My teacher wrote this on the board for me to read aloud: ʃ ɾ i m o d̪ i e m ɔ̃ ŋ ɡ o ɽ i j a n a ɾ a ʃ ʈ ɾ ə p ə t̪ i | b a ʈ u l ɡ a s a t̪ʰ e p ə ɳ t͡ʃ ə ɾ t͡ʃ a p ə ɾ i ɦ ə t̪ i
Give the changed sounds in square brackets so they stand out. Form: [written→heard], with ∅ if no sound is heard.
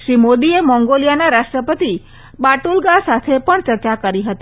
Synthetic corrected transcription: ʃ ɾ i m o d̪ i e m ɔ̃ ŋ ɡ o [ɽ→l] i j a n a ɾ a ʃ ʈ ɾ ə p ə t̪ i | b a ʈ u l ɡ a s a t̪ʰ e p ə ɳ t͡ʃ ə ɾ t͡ʃ a [p→k] ə ɾ i ɦ ə t̪ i

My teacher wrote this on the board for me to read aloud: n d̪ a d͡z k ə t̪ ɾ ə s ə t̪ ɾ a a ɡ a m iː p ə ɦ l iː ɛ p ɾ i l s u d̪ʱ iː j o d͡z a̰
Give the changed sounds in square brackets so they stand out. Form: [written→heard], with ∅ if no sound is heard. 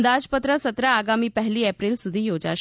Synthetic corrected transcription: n d̪ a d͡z [k→p] ə t̪ ɾ ə s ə t̪ ɾ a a ɡ a m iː p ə ɦ l iː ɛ p ɾ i l s u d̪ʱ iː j o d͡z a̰

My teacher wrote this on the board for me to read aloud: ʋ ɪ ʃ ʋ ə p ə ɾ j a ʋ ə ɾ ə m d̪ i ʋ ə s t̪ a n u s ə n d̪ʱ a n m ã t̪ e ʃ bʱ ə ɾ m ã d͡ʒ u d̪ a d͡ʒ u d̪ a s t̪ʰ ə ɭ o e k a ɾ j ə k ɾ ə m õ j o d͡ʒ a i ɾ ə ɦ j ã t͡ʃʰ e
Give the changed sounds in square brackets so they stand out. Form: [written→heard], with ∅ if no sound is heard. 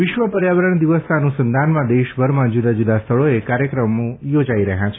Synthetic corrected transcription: ʋ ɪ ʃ ʋ ə p ə ɾ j a ʋ ə ɾ ə [m→ɳ] d̪ i ʋ ə s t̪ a n u s ə n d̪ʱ a n m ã [t̪→d̪] e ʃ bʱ ə ɾ m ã d͡ʒ u d̪ a d͡ʒ u d̪ a s t̪ʰ ə ɭ o e k a ɾ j ə k ɾ ə m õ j o d͡ʒ a i ɾ ə ɦ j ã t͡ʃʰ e

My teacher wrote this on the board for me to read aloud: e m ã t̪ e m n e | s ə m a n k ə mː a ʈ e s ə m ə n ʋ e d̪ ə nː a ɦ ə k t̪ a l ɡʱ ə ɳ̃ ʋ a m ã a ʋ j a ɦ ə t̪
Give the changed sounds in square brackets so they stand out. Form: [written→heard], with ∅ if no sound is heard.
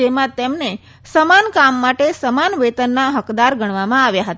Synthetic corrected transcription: e m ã t̪ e m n e | s ə m a n k [ə→a] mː a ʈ e s ə m [ə→a] n ʋ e [d̪→t̪] ə nː a ɦ ə k [t̪→d̪] a [l→ɾ] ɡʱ ə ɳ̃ ʋ a m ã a ʋ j a ɦ ə t̪

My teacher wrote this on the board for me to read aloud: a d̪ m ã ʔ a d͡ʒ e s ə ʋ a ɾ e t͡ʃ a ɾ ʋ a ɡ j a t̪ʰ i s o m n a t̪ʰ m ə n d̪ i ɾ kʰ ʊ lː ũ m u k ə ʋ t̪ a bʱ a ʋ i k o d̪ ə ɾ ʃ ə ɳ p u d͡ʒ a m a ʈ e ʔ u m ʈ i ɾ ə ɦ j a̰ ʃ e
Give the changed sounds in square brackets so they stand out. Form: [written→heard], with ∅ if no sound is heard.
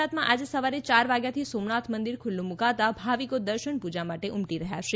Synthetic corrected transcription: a [d̪→t̪] m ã ʔ a d͡ʒ e s ə ʋ a ɾ e t͡ʃ a ɾ ʋ a ɡ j a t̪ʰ i s o m n a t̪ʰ m ə n d̪ i ɾ kʰ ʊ lː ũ m u k [ə→a] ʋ t̪ a bʱ a ʋ i k o d̪ ə ɾ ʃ ə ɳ p u d͡ʒ a m a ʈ e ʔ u m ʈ i ɾ ə ɦ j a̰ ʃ e

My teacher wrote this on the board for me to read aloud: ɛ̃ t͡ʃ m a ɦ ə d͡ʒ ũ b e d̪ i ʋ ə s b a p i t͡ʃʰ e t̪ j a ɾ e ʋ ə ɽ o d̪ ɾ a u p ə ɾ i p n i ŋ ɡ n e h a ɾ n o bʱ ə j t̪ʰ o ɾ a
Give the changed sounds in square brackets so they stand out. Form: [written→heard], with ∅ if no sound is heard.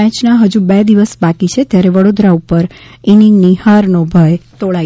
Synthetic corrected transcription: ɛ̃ t͡ʃ [m→n] a ɦ ə d͡ʒ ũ b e d̪ i ʋ ə s b a [p→k] i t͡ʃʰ e t̪ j a ɾ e ʋ ə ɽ o d̪ ɾ a u p ə ɾ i [p→∅] n i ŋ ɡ n [e→i] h a ɾ n o bʱ ə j [t̪ʰ→t̪] o [ɾ→ɭ] a

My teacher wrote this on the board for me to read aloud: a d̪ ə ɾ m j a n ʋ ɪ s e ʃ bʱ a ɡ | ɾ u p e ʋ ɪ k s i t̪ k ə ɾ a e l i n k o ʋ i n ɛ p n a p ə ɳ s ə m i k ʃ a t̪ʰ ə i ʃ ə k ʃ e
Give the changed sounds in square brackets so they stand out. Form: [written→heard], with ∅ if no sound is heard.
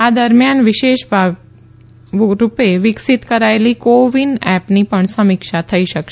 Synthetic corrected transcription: a d̪ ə ɾ m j a n ʋ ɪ [s→ʃ] e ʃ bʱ a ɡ | ɾ u p e ʋ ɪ k s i t̪ k ə ɾ a e l i [n→∅] k o ʋ i n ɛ p n [a→i] p ə ɳ s ə m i k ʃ a t̪ʰ ə i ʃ ə k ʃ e

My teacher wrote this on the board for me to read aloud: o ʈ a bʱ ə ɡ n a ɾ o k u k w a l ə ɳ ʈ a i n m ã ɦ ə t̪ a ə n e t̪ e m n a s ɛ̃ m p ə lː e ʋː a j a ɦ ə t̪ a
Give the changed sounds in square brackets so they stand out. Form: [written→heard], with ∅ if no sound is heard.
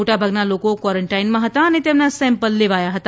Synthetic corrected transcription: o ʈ a bʱ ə ɡ n a [ɾ→l] o k [u→o] k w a [l→ɾ] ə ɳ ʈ a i n m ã ɦ ə t̪ a ə n e t̪ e m n a s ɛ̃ m p ə lː e [ʋː→ʋ] a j a ɦ ə t̪ a

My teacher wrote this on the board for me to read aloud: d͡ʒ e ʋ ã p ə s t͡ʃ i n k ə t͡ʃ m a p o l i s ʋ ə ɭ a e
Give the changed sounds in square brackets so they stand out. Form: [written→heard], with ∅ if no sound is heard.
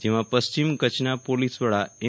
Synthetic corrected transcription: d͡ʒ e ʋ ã p ə s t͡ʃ i [n→m] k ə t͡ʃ [m→n] a p o l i s ʋ ə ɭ a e

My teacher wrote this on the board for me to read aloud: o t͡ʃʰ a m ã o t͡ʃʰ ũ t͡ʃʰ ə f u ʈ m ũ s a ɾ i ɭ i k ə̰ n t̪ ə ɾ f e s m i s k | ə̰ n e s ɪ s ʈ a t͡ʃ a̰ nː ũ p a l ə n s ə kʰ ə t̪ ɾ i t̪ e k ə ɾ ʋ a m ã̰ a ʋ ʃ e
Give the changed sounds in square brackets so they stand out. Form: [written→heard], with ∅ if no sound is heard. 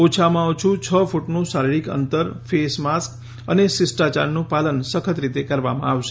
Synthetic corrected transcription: o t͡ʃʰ a m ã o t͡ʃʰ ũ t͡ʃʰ ə f u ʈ [m→n] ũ s a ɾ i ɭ i k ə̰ n t̪ ə ɾ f e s m [i→a] s k | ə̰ n e s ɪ s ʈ a t͡ʃ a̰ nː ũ p a l ə n s ə kʰ ə t̪ ɾ i t̪ e k ə ɾ ʋ a m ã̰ a ʋ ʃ e

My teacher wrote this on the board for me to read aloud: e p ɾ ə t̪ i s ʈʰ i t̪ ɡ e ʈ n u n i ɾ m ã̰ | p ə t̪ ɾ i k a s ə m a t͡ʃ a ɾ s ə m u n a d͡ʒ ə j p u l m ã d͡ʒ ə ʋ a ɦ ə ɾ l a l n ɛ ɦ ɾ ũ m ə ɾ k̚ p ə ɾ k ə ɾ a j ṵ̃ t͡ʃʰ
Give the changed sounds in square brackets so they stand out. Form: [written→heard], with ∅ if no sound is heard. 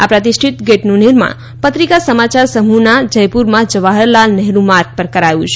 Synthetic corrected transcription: [e→a] p ɾ ə t̪ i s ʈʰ i t̪ ɡ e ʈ n u n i ɾ m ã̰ | p ə t̪ ɾ i k a s ə m a t͡ʃ a ɾ s ə m u n a d͡ʒ ə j p u [l→ɾ] m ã d͡ʒ ə ʋ a ɦ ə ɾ l a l n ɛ ɦ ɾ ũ m [ə→a] ɾ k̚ p ə ɾ k ə ɾ a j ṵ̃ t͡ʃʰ

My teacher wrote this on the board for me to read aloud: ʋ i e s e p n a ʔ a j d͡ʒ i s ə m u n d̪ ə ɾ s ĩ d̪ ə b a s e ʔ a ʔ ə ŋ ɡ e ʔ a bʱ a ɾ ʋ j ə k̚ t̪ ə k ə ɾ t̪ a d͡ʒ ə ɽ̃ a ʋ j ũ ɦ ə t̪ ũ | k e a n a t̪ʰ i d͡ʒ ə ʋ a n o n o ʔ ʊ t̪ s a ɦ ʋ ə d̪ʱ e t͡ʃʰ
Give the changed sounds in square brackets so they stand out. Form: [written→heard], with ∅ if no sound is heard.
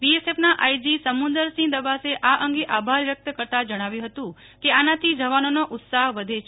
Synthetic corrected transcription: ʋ i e s e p n a ʔ a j d͡ʒ i s ə m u n d̪ ə ɾ s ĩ d̪ ə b a s e ʔ a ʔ ə ŋ ɡ e ʔ a bʱ a ɾ ʋ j ə k̚ t̪ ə k ə ɾ t̪ a d͡ʒ ə ɽ̃ a ʋ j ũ ɦ ə t̪ ũ | k e a n a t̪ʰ i d͡ʒ ə ʋ a n o n o ʔ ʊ t̪ s a ɦ ʋ ə d̪ʱ e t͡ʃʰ

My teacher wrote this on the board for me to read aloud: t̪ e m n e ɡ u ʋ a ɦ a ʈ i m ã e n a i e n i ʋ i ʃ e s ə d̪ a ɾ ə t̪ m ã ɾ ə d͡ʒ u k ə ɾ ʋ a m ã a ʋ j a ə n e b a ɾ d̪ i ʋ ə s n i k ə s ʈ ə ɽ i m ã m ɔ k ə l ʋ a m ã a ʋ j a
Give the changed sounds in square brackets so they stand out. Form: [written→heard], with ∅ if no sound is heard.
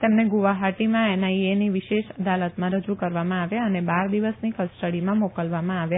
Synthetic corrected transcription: t̪ e m n e ɡ u ʋ a ɦ a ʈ i m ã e n a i e n i ʋ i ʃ e [s→ʃ] ə d̪ a [ɾ→l] ə t̪ m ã ɾ ə d͡ʒ u k ə ɾ ʋ a m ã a ʋ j a ə n e b a ɾ d̪ i ʋ ə s n i k ə s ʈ ə ɽ i m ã m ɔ k ə l ʋ a m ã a ʋ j a

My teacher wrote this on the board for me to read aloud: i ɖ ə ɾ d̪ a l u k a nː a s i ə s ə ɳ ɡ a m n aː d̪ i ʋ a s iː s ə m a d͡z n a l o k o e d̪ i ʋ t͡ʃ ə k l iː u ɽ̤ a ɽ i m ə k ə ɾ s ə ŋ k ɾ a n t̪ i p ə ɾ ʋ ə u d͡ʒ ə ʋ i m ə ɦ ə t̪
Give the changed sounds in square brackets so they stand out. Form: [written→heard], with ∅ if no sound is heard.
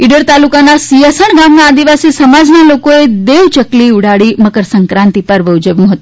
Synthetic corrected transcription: i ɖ ə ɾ [d̪→t̪] a l u k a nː a s i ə s ə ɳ ɡ a m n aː d̪ i ʋ a s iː s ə m a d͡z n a l o k o e d̪ [i→e] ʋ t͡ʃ ə k l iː u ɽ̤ a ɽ i m ə k ə ɾ s ə ŋ k ɾ a n t̪ i p ə ɾ ʋ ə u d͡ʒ ə ʋ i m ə ɦ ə t̪

